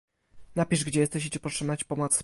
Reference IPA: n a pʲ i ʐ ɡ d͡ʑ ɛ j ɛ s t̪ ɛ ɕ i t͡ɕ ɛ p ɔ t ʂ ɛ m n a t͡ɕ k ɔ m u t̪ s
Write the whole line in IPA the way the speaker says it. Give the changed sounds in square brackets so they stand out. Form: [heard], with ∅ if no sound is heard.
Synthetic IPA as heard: n a pʲ i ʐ ɡ d͡ʑ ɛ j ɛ s t̪ ɛ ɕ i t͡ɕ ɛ p ɔ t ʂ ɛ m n a t͡ɕ [p] ɔ m [ɔ] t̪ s